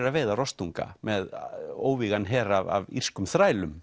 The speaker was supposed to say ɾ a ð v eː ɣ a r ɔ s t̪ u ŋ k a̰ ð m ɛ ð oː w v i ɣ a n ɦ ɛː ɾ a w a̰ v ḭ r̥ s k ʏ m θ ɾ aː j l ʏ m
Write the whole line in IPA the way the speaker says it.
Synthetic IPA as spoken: ɾ a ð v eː ð a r ɔ s t̪ u ŋ k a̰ m ɛ ð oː w v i ɣ a n ɦ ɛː ɾ a v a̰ v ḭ r̥ s k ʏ m θ ɾ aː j l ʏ m